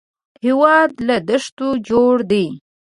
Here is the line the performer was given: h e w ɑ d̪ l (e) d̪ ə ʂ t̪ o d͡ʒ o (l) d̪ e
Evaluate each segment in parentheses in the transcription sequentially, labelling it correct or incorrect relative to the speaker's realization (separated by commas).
incorrect, incorrect